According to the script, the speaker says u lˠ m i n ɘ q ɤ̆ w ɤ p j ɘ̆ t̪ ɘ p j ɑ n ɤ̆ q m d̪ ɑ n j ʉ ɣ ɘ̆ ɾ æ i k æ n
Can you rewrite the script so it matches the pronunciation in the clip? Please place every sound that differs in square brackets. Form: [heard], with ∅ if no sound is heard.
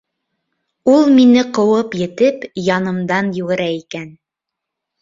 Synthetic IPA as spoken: u lˠ m i n ɘ q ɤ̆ w ɤ p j ɘ̆ t̪ ɘ p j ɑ n ɤ̆ [∅] m d̪ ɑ n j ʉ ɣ ɘ̆ ɾ æ i k æ n